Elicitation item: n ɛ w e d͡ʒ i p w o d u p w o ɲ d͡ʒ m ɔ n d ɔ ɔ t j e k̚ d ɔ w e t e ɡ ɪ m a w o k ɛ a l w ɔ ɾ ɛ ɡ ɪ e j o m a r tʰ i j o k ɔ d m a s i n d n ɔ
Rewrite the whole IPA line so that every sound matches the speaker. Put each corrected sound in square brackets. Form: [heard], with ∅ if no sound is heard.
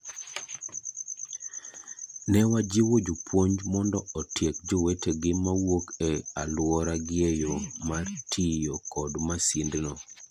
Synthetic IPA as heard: n ɛ w [a] d͡ʒ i [∅] w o [d͡ʒ] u p w o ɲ d͡ʒ m ɔ n d ɔ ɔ t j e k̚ [d͡ʒ] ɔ w e t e ɡ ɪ m a w o k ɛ a l w ɔ ɾ [a] ɡ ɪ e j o m a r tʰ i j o k ɔ d m a s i n d n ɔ